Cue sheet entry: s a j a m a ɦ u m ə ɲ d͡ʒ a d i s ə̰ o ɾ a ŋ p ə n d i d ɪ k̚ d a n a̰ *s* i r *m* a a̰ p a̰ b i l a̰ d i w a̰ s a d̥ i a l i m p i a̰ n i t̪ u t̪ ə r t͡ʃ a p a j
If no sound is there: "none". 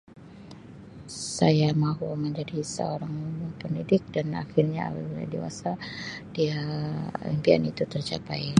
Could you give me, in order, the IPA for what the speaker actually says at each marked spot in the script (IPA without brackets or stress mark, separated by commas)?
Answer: x, ɲ